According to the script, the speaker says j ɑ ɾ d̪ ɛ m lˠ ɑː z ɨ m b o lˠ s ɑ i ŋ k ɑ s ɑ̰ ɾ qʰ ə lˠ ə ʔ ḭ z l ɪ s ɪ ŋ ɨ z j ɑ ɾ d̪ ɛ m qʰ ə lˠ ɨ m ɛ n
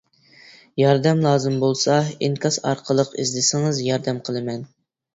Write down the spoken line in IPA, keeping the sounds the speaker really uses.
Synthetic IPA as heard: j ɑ ɾ d̪ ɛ m lˠ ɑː z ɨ m b o lˠ s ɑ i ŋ k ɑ s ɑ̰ ɾ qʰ ə lˠ ə q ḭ z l ɪ s ɪ ŋ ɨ z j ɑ ɾ d̪ ɛ m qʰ ə lˠ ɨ m ɛ n